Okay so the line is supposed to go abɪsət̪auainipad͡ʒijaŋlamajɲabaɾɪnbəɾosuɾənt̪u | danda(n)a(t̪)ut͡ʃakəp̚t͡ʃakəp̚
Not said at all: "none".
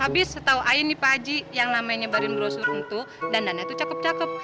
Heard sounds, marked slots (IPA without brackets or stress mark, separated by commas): n, t̪